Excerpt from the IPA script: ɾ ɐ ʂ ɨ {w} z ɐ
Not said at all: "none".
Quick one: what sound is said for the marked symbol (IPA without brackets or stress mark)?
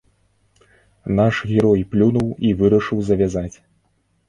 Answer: w